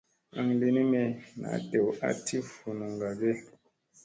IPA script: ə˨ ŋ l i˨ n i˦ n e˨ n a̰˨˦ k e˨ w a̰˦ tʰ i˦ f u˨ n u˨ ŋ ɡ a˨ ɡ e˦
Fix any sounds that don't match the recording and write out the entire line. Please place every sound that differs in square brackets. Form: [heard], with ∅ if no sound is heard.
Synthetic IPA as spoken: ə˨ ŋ l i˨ n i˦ [m] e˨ n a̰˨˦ [t] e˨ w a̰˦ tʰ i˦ f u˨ n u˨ ŋ ɡ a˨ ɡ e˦